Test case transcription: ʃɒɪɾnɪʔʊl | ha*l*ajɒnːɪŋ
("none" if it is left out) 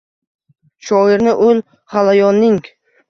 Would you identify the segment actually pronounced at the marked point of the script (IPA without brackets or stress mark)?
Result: l